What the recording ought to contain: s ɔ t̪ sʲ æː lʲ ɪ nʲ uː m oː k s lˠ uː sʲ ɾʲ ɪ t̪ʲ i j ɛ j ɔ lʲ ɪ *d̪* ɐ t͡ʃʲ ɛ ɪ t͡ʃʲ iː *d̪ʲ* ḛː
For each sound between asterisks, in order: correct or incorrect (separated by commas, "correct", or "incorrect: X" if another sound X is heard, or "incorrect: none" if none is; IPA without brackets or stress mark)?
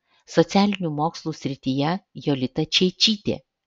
incorrect: t̪, incorrect: t̪ʲ